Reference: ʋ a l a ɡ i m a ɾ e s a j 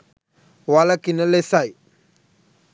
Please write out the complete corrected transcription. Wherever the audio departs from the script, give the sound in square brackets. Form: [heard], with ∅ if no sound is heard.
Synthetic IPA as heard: [w] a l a [k] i [n] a [l] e s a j